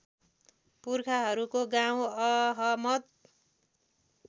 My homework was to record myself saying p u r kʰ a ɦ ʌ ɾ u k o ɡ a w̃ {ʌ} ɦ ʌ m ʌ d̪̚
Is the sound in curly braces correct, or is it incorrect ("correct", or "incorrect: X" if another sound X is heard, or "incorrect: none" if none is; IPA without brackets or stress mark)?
correct